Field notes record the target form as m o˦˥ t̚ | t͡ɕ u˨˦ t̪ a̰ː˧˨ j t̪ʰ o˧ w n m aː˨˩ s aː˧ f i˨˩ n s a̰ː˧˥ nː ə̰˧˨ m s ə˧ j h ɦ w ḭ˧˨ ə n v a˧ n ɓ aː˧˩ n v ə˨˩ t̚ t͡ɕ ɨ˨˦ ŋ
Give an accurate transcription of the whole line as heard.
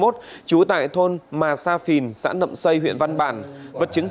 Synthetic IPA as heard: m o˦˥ t̚ | t͡ɕ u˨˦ t̪ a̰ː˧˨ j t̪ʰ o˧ n m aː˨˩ s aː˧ f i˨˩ n s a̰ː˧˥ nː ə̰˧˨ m s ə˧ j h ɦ w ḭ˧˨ ə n v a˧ n ɓ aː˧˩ n v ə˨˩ t̚ t͡ɕ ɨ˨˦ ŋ